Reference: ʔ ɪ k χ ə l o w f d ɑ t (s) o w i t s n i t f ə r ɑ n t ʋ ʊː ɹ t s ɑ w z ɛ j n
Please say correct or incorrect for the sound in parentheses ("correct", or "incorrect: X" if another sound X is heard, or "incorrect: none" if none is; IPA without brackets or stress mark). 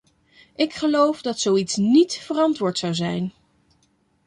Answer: correct